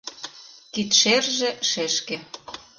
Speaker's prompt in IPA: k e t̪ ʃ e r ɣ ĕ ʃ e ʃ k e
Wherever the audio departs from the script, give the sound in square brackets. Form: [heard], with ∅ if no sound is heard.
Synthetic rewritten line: k [i] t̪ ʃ e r [ʒ] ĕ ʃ e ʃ k e